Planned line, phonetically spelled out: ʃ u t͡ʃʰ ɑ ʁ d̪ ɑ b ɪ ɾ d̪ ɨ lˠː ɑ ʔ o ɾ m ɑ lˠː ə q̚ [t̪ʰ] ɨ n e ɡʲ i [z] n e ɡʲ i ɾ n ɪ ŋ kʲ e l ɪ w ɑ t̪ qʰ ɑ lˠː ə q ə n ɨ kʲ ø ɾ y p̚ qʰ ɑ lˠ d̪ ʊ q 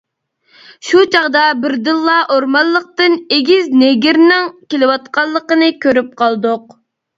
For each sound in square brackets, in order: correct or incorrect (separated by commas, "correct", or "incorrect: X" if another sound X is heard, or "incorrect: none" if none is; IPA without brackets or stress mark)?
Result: incorrect: t̪, correct